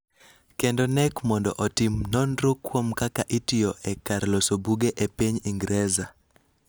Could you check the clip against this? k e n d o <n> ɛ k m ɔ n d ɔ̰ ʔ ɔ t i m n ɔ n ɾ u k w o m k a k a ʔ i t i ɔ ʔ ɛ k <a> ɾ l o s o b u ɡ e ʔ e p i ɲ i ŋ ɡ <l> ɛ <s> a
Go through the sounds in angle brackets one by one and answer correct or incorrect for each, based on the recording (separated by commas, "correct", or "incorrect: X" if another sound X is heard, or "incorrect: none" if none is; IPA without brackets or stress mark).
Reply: correct, correct, incorrect: ɾ, incorrect: z